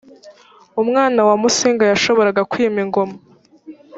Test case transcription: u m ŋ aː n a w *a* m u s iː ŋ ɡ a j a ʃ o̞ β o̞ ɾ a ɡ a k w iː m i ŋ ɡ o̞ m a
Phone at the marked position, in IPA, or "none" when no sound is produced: a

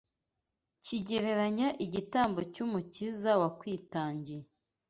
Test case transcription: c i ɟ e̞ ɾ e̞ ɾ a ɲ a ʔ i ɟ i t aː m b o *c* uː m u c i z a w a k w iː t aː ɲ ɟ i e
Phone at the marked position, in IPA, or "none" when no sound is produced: c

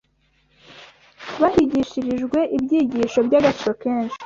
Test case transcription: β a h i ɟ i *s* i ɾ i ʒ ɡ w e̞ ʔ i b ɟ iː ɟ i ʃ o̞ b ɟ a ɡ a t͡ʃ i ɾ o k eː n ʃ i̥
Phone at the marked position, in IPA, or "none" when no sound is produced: ʃ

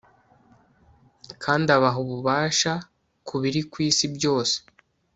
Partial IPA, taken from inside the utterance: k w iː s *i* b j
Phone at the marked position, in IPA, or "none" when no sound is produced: i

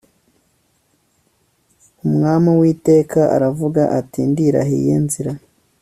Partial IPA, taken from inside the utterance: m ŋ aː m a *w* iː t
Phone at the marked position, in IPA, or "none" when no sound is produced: w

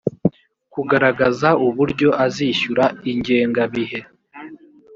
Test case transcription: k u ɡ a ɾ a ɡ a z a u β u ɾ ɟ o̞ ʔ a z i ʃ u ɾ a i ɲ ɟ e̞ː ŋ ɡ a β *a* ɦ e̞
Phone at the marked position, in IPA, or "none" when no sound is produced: i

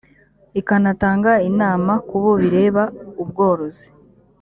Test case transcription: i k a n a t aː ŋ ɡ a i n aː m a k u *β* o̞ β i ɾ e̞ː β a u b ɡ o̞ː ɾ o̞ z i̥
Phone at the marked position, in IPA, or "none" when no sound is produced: β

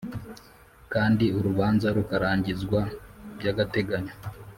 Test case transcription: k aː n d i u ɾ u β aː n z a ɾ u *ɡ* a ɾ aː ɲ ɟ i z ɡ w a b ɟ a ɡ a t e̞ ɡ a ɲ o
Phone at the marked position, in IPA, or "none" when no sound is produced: k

